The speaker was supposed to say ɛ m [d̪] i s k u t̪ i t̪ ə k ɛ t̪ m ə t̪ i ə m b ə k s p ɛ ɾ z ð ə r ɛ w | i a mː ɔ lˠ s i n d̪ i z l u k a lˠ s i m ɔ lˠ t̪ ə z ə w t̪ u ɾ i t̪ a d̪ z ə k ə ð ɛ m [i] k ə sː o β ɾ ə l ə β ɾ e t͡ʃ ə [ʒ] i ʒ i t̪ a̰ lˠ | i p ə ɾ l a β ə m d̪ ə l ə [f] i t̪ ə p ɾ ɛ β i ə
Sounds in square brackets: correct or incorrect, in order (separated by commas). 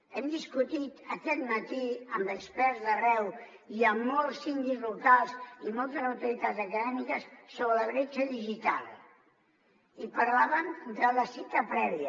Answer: correct, correct, incorrect, incorrect